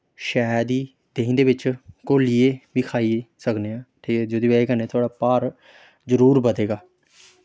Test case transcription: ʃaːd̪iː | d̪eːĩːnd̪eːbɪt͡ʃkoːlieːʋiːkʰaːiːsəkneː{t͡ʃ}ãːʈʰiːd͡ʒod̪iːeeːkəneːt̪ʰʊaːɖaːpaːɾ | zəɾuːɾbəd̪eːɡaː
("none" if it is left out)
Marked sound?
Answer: none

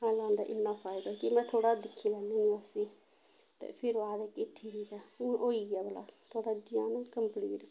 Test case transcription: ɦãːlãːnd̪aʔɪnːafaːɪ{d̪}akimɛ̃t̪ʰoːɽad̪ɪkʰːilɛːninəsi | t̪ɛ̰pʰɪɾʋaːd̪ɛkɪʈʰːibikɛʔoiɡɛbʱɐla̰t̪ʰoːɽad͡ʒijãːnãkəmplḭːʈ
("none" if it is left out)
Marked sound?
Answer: d̪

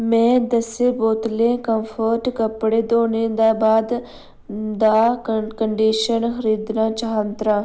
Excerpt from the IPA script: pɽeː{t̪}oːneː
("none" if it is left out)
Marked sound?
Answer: d̪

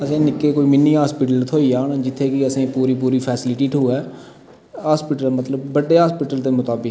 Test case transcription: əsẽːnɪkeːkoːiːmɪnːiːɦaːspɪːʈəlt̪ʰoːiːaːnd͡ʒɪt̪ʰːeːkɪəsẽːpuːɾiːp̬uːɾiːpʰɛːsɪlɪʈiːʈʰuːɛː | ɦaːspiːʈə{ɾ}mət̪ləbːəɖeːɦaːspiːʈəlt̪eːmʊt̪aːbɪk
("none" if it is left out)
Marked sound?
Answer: l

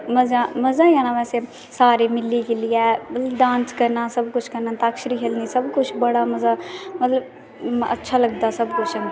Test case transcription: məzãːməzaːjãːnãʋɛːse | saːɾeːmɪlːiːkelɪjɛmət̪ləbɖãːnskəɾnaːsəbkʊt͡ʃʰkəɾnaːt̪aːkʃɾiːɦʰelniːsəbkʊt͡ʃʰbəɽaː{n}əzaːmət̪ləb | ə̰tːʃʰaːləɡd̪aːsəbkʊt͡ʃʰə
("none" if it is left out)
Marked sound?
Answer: m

